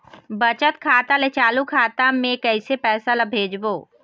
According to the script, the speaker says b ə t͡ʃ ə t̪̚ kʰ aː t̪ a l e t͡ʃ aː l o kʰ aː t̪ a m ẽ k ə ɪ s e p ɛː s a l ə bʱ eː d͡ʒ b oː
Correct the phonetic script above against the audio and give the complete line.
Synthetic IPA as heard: b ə t͡ʃ ə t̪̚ kʰ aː t̪ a l e t͡ʃ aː l u kʰ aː t̪ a m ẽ k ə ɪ s e p ɛː s a l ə bʱ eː d͡ʒ b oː